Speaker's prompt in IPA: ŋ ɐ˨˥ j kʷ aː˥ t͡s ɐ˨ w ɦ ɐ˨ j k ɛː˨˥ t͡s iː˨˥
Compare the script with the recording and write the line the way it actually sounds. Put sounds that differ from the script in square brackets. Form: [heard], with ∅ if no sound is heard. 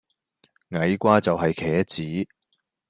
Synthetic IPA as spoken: ŋ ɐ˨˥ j kʷ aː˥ t͡s ɐ˨ w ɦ ɐ˨ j [kʰ] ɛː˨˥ t͡s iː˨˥